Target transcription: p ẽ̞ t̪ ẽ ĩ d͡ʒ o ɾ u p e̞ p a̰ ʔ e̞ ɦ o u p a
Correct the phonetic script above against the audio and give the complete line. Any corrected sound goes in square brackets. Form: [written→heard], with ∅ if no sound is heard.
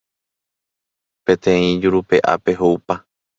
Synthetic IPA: p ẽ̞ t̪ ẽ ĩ d͡ʒ [o→u] ɾ u p e̞ [p→ʔ] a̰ [ʔ→p] e̞ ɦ o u p a